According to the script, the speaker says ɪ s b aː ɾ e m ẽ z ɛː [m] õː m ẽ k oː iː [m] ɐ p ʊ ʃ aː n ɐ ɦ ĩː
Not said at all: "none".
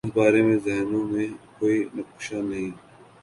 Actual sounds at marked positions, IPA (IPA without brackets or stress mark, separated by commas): n, n